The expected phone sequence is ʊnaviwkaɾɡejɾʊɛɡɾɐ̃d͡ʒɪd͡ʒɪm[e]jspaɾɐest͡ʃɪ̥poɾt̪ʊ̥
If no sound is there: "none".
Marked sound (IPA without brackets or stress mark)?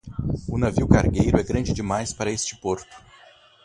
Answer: a